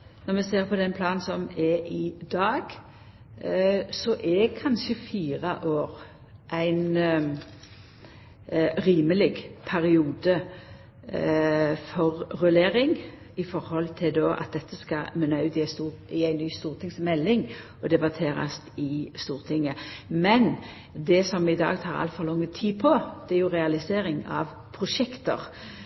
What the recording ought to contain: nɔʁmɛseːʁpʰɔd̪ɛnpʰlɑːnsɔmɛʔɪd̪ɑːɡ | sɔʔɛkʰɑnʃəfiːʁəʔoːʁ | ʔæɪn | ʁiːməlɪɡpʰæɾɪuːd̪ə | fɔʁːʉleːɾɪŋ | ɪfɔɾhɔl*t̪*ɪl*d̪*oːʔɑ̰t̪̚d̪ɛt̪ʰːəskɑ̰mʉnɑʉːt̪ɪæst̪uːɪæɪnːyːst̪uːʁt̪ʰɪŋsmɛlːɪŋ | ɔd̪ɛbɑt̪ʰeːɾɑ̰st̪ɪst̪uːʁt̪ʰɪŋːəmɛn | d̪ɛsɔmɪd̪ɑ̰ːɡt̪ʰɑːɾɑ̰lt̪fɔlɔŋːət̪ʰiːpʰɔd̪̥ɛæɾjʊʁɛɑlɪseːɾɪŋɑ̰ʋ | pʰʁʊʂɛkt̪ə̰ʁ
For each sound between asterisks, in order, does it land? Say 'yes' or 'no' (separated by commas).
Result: no, yes